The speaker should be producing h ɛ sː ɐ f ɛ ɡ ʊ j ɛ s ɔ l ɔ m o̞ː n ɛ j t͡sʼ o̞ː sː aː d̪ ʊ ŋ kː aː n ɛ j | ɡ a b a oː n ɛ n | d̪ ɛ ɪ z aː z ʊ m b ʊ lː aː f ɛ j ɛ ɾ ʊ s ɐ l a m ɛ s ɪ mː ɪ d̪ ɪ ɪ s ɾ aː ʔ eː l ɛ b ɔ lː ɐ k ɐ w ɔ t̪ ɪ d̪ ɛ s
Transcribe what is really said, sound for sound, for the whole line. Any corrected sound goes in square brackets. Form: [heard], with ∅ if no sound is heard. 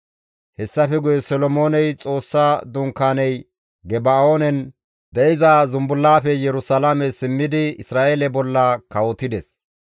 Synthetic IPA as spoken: h ɛ sː ɐ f ɛ ɡ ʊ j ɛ s ɔ l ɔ m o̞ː n ɛ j t͡sʼ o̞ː sː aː d̪ ʊ ŋ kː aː n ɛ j | ɡ [ɛ] b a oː n ɛ n | d̪ ɛ ɪ z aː z ʊ m b ʊ lː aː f ɛ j ɛ ɾ ʊ s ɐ l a m ɛ s ɪ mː ɪ d̪ ɪ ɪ s ɾ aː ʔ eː l ɛ b ɔ lː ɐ k ɐ w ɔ t̪ ɪ d̪ ɛ s